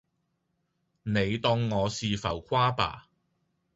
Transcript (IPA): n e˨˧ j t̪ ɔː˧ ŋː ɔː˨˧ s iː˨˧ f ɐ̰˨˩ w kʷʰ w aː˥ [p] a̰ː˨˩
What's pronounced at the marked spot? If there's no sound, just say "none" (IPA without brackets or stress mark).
p